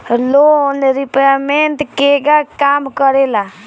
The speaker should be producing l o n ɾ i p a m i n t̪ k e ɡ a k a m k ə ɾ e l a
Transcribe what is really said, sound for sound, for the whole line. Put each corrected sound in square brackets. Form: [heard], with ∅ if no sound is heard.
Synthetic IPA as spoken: l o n ɾ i p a m [e] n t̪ k e ɡ a k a m k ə ɾ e l a